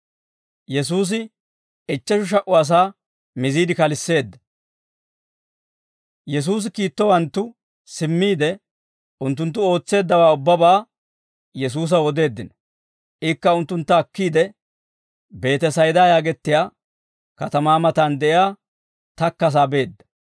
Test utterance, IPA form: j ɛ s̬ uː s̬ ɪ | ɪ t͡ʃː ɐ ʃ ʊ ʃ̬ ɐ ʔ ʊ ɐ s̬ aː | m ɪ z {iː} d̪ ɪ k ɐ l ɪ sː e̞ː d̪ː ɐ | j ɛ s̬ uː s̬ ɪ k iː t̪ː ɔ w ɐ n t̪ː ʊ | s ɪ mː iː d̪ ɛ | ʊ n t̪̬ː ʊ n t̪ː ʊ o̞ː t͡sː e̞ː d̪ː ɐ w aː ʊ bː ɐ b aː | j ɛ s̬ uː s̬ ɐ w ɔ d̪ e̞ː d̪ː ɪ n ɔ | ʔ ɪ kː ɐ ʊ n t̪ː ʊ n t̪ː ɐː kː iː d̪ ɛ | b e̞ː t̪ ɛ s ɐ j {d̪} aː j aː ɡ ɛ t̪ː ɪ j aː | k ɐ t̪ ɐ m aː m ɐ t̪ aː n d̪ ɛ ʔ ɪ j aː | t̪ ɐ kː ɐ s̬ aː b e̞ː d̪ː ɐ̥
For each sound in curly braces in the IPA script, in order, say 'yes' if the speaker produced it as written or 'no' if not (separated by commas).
yes, yes